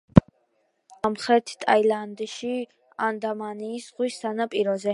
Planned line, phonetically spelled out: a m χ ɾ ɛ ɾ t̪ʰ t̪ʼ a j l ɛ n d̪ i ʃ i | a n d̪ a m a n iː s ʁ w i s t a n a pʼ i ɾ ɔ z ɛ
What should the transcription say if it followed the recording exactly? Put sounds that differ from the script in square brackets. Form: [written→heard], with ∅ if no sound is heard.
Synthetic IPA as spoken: a m χ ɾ ɛ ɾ t̪ʰ t̪ʼ a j l [ɛ→a] n d̪ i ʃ i | a n d̪ a m a n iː s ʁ w i s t a n a pʼ i ɾ ɔ z ɛ